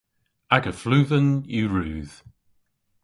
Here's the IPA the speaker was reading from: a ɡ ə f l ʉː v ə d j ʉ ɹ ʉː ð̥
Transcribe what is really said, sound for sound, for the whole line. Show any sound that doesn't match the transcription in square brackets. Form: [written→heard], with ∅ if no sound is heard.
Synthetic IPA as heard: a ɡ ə f l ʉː [v→ð] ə [d→n] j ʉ ɹ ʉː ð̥